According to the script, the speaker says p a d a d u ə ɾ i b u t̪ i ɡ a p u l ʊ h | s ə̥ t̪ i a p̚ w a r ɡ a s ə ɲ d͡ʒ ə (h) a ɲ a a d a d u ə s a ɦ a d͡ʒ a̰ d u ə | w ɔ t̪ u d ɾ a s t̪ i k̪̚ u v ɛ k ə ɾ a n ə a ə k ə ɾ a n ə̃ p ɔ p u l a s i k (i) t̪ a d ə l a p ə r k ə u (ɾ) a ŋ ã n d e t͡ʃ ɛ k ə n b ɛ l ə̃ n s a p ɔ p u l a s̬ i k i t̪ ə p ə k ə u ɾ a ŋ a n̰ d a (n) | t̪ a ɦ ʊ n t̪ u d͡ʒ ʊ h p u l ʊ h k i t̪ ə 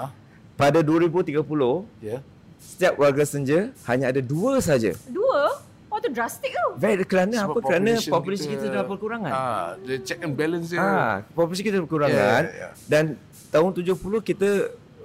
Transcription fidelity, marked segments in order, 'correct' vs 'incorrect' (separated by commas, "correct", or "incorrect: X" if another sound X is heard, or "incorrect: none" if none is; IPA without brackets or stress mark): correct, correct, correct, correct